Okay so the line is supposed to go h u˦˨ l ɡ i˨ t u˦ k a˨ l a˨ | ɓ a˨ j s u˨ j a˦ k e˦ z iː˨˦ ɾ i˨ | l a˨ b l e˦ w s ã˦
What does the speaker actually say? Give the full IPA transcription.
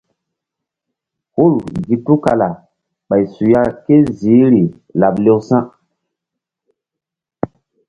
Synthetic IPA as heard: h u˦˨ l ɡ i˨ t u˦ k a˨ l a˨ | ɓ a˨ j s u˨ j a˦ k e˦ z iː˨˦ ɾ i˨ | l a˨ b l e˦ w s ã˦